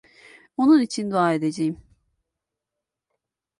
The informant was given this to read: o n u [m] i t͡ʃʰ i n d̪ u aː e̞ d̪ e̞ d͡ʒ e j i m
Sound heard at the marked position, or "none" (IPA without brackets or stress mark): n